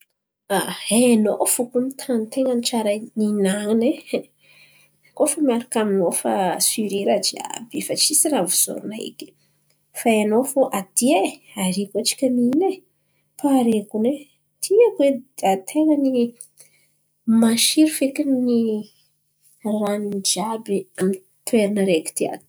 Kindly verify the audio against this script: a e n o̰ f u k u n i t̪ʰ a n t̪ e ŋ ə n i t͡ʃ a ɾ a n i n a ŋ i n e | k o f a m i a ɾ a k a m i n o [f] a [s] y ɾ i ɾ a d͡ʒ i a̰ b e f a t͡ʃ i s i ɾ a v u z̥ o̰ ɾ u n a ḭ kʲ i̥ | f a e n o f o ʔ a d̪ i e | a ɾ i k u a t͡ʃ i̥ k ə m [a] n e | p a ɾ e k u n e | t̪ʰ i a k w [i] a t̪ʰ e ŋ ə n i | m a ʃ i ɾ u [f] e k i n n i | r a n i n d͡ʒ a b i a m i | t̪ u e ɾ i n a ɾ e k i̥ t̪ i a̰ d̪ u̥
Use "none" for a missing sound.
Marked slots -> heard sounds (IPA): f, s, i, e, f

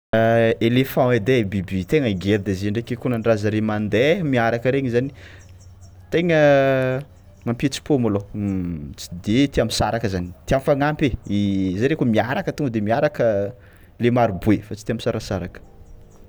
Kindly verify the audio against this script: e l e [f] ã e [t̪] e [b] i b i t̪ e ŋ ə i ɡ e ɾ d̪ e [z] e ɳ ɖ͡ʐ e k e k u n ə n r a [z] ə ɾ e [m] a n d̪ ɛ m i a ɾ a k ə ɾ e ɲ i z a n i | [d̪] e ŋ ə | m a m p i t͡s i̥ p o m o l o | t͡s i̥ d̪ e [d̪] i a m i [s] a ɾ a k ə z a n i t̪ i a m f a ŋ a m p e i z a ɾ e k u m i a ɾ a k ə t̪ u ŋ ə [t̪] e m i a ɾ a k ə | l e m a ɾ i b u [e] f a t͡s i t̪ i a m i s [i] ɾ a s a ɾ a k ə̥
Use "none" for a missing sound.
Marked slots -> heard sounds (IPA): f, d̪, b, z, z, m, t̪, t̪, s, d̪, e, a

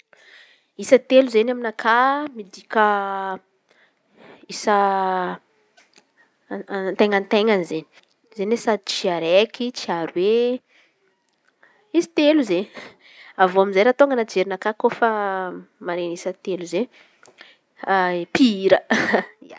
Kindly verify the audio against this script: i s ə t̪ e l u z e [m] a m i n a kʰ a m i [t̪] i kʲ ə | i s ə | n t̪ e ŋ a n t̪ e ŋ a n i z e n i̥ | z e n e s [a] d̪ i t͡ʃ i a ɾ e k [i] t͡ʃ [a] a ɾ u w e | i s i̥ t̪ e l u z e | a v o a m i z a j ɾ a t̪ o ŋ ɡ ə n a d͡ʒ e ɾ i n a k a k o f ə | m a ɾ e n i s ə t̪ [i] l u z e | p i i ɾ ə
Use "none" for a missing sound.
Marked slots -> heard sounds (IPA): n, d̪, a, i, i, e

